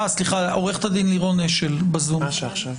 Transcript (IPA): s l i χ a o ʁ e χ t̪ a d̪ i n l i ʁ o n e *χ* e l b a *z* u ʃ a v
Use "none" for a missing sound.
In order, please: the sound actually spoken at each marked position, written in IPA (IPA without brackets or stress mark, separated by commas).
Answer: ʃ, z